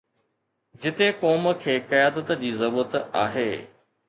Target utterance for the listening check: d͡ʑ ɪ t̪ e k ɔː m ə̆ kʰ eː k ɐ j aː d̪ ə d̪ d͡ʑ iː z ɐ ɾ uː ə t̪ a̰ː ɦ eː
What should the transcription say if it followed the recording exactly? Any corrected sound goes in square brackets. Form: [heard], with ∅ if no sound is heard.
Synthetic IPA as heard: d͡ʑ ɪ t̪ e k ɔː m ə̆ kʰ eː k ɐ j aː d̪ ə [t̪] d͡ʑ iː z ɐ ɾ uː ə t̪ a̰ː ɦ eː